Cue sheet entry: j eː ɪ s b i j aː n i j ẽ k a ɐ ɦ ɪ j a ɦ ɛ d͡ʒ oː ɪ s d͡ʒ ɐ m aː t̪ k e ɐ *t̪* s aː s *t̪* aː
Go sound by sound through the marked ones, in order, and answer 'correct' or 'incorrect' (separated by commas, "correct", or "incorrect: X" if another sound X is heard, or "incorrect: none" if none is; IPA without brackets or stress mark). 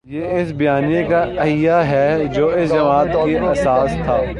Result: incorrect: none, incorrect: t̪ʰ